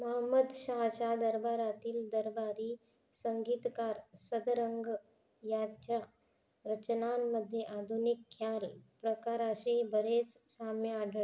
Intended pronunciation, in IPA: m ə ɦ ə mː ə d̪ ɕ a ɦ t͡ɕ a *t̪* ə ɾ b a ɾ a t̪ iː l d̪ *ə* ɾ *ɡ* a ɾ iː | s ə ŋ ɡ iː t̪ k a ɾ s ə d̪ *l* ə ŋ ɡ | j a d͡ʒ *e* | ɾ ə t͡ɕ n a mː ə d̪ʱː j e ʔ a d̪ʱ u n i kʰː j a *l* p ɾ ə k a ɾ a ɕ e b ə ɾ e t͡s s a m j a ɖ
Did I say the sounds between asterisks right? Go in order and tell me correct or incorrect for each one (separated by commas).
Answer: incorrect, correct, incorrect, incorrect, incorrect, correct